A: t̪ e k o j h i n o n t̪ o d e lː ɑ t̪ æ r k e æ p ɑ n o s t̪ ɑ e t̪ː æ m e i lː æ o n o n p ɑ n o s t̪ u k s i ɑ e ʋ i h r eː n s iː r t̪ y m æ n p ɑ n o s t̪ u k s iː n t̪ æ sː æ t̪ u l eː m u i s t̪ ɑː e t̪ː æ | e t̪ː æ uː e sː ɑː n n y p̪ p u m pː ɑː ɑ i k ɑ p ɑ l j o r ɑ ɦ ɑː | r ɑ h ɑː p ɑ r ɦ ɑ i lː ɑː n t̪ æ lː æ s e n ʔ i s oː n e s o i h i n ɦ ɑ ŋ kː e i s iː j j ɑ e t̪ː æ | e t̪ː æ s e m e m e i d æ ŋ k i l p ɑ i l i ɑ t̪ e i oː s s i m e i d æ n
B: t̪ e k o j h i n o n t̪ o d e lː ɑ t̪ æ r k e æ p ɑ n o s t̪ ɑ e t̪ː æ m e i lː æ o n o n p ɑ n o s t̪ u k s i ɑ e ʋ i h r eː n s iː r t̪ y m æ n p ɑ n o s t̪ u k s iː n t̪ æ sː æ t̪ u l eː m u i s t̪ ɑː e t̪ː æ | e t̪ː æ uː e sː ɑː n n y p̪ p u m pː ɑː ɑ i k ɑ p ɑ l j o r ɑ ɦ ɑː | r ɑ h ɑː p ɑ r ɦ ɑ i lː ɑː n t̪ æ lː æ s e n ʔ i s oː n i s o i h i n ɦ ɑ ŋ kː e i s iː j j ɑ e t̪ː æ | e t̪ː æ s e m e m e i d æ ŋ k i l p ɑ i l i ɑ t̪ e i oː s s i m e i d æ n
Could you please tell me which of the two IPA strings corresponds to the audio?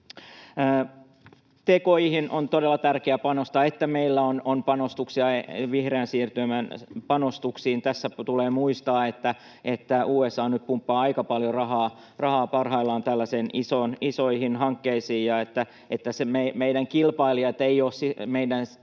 B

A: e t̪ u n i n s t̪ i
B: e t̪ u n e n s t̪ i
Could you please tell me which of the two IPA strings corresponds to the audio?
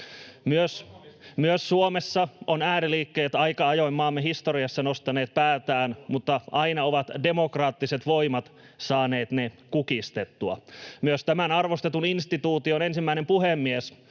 A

